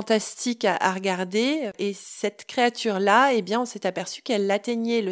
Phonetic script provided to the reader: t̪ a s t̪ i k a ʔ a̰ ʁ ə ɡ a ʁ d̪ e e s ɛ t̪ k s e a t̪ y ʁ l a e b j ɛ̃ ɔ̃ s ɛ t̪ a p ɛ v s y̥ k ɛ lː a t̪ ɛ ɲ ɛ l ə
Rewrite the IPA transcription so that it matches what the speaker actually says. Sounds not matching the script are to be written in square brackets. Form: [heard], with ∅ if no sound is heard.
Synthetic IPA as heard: t̪ a s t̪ i k a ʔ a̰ ʁ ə ɡ a ʁ d̪ e e s ɛ t̪ k [χ] e a t̪ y ʁ l a e b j ɛ̃ ɔ̃ s ɛ t̪ a p ɛ [ʁ] s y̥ k ɛ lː a t̪ ɛ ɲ ɛ l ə